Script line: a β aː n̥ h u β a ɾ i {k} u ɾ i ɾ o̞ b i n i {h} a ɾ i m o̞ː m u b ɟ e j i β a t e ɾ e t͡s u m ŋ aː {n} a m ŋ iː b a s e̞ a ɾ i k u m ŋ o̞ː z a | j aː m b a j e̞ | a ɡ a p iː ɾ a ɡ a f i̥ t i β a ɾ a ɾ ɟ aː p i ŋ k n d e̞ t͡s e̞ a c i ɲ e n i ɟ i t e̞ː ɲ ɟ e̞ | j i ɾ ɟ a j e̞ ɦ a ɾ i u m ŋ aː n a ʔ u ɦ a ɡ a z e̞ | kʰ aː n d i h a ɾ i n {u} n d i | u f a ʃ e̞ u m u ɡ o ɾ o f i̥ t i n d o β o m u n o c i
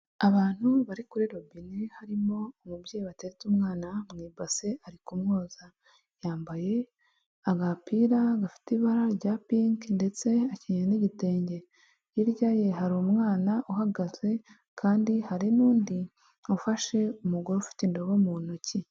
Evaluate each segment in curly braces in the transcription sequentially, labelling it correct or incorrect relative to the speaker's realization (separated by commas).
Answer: correct, correct, correct, incorrect